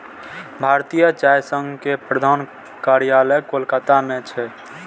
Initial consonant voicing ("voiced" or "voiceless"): voiced